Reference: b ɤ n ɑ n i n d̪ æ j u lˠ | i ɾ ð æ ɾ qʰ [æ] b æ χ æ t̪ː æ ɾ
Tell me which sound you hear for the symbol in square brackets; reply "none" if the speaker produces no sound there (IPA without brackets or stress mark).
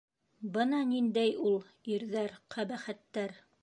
æ